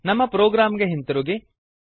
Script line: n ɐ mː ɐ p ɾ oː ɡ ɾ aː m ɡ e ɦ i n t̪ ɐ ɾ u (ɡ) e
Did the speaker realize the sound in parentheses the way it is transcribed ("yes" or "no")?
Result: yes